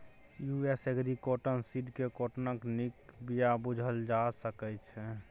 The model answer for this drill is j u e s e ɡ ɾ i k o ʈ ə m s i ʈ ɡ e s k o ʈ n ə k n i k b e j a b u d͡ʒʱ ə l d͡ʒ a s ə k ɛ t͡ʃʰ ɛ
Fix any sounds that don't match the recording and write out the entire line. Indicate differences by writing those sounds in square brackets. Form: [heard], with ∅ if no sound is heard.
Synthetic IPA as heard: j u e s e ɡ ɾ i k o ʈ ə [n] s i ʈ [k] e [∅] k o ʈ n ə k n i k b [i] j a b u d͡ʒʱ ə l d͡ʒ a s ə k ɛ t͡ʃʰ ɛ